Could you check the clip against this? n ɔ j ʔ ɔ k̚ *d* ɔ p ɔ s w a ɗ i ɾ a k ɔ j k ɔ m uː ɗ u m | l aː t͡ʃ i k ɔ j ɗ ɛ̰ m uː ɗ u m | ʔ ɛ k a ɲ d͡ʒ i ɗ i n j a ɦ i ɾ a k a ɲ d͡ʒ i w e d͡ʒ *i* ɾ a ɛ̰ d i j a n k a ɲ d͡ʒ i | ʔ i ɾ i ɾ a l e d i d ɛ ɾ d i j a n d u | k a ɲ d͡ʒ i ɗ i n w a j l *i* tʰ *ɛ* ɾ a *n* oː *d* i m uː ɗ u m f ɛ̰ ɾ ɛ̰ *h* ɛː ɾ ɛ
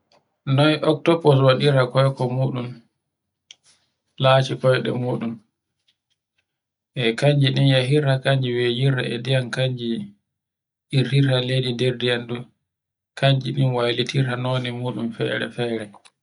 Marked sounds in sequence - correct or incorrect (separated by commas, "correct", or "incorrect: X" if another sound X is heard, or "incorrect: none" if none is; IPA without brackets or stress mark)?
incorrect: t, correct, correct, incorrect: i, correct, incorrect: n, incorrect: f